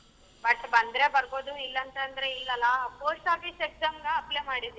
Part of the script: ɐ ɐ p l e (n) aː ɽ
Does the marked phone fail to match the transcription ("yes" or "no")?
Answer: yes